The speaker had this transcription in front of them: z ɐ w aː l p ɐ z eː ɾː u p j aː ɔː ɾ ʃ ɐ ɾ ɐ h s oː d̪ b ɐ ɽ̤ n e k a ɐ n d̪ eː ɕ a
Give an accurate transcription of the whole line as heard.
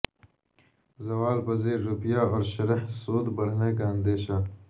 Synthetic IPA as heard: z ɐ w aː l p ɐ z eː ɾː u p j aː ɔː ɾ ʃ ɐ ɾ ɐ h s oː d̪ b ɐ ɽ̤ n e k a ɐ n d̪ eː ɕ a